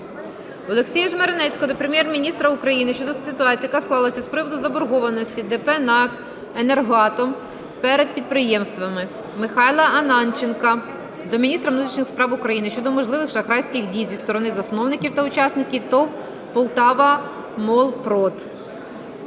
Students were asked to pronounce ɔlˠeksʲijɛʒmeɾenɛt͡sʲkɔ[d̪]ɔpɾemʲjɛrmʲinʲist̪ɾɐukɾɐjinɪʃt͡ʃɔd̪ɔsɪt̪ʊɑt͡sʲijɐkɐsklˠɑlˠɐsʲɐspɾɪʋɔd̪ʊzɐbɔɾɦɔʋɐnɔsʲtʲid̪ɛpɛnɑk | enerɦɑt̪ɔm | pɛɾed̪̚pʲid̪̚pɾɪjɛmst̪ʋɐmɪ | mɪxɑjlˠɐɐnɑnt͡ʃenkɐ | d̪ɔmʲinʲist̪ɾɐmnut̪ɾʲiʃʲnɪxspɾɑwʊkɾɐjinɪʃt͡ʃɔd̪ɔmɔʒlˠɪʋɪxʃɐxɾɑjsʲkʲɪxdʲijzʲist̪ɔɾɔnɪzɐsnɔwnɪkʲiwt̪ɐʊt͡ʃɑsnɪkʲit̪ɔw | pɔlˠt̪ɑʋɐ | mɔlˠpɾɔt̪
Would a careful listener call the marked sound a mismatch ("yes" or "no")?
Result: no